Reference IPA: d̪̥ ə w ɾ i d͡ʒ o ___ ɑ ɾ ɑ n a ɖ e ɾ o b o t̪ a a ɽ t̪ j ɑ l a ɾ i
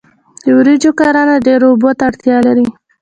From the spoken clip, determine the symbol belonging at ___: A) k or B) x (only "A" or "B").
A